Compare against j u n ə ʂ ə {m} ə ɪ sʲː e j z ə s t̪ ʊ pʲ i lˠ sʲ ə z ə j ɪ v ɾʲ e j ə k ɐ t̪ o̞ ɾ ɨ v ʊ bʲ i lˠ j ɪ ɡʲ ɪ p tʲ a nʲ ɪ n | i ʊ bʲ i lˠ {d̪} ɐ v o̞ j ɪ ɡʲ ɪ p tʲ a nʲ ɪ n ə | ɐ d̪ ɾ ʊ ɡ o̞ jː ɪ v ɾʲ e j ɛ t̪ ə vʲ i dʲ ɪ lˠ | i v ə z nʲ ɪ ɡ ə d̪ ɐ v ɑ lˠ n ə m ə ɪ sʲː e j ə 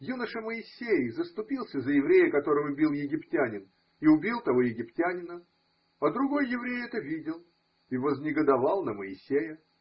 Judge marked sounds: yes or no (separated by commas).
yes, no